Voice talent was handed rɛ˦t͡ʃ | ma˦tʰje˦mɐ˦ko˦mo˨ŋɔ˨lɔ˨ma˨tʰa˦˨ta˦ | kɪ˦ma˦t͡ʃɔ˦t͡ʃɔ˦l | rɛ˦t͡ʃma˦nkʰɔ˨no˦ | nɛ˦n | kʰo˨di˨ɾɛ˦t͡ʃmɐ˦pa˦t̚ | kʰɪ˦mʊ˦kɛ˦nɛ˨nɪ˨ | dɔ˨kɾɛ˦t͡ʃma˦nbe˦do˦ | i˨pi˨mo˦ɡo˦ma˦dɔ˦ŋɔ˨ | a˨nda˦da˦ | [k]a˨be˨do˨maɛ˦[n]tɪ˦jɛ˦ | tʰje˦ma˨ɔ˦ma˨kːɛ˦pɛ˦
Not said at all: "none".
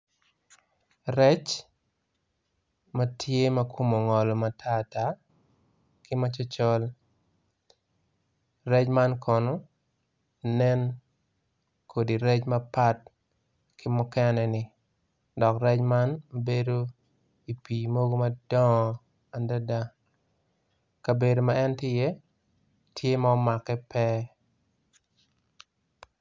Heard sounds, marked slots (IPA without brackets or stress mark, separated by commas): k, n